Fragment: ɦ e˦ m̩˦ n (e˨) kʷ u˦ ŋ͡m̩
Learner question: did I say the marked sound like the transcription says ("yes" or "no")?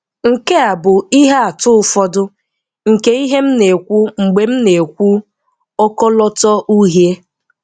yes